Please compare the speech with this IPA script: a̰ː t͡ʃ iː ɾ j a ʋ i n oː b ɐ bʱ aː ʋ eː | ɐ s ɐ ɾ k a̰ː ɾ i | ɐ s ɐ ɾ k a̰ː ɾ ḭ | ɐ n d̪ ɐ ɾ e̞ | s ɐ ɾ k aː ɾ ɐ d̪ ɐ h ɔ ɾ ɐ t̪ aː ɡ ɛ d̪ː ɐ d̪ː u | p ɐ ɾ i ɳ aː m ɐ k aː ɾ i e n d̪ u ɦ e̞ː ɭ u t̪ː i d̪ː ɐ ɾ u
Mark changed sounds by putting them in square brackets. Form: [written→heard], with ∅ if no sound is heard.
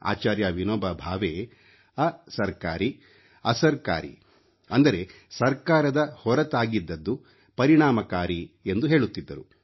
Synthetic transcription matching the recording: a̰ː t͡ʃ [iː→aː] ɾ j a ʋ i n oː b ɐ bʱ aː ʋ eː | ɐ s ɐ ɾ k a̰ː ɾ i | ɐ s ɐ ɾ k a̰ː ɾ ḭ | ɐ n d̪ ɐ ɾ e̞ | s ɐ ɾ k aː ɾ ɐ d̪ ɐ h ɔ ɾ ɐ t̪ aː ɡ [ɛ→i] d̪ː ɐ d̪ː u | p ɐ ɾ i ɳ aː m ɐ k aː ɾ i e n d̪ u ɦ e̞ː ɭ u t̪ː i d̪ː ɐ ɾ u

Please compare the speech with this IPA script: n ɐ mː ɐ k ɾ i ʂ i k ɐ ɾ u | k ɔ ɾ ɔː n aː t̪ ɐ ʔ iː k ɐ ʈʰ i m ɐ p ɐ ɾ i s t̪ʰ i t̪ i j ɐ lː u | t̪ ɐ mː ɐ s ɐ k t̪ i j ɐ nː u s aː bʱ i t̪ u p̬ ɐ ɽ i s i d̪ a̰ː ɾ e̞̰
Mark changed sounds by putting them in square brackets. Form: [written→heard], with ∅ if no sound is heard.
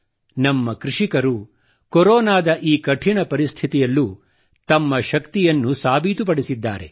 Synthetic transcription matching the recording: n ɐ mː ɐ k ɾ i ʂ i k ɐ ɾ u | k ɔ ɾ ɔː n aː [t̪→d̪] ɐ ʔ iː k ɐ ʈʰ i [m→ɳ] ɐ p ɐ ɾ i s t̪ʰ i t̪ i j ɐ lː u | t̪ ɐ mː ɐ [s→ʃ] ɐ k t̪ i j ɐ nː u s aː bʱ i t̪ u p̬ ɐ ɽ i s i [d̪→d̪ː] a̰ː ɾ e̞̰

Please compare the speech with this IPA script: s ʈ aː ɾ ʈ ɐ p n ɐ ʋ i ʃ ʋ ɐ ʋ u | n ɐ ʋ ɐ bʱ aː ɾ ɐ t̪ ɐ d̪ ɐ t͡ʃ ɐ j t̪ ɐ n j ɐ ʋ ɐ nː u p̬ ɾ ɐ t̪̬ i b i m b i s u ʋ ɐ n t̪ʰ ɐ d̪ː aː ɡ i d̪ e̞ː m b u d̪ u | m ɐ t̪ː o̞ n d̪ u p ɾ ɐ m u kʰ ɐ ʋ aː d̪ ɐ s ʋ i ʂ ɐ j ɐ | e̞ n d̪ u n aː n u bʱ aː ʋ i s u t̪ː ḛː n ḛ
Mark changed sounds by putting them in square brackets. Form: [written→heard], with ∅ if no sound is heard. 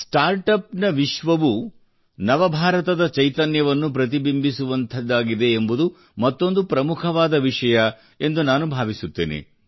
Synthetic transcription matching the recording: s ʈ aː ɾ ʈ ɐ p n ɐ ʋ i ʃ ʋ ɐ ʋ u | n ɐ ʋ ɐ bʱ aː ɾ ɐ t̪ ɐ d̪ ɐ t͡ʃ ɐ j t̪ ɐ n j ɐ ʋ ɐ nː u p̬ ɾ ɐ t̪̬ i b i m b i s u ʋ ɐ n t̪ʰ ɐ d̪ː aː ɡ i d̪ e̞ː m b u d̪ u | m ɐ t̪ː o̞ n d̪ u p ɾ ɐ m u kʰ ɐ ʋ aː d̪ ɐ [s→∅] ʋ i ʂ ɐ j ɐ | e̞ n d̪ u n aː n u bʱ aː ʋ i s u t̪ː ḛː n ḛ

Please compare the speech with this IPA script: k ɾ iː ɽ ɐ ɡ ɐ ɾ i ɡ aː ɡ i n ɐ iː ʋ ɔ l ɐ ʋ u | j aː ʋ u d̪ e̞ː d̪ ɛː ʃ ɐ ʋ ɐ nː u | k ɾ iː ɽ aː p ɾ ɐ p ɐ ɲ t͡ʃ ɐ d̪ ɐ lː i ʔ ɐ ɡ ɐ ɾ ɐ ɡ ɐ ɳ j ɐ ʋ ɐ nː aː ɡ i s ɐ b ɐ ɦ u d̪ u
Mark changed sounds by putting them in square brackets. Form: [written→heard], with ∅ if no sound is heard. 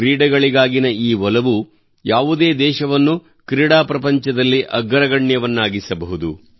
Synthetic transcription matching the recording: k ɾ iː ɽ ɐ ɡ ɐ [ɾ→ɭ] i ɡ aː ɡ i n ɐ iː ʋ ɔ l ɐ ʋ u | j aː ʋ u d̪ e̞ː d̪ ɛː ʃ ɐ ʋ ɐ nː u | k ɾ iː ɽ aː p ɾ ɐ p ɐ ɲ t͡ʃ ɐ d̪ ɐ lː i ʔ ɐ ɡ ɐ ɾ ɐ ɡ ɐ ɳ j ɐ ʋ ɐ nː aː ɡ i s ɐ b ɐ ɦ u d̪ u

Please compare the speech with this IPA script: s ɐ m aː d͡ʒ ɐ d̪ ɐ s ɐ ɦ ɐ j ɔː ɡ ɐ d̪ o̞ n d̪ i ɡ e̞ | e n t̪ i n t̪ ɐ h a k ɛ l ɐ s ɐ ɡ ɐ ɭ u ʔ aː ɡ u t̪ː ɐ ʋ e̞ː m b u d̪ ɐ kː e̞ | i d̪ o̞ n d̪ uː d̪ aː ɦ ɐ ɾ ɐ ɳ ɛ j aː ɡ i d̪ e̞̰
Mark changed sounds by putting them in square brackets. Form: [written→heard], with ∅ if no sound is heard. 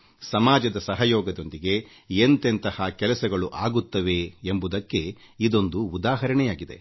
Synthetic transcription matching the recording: s ɐ m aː d͡ʒ ɐ d̪ ɐ s ɐ ɦ ɐ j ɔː ɡ ɐ d̪ o̞ n d̪ i ɡ e̞ | e n t̪ [i→e] n t̪ ɐ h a k ɛ l ɐ s ɐ ɡ ɐ ɭ u ʔ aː ɡ u t̪ː ɐ ʋ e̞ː m b u d̪ ɐ kː e̞ | i d̪ o̞ n d̪ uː d̪ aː ɦ ɐ ɾ ɐ ɳ ɛ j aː ɡ i d̪ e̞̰

